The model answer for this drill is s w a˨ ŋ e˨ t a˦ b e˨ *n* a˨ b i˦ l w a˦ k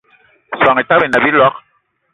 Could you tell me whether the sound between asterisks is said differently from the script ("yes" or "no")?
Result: no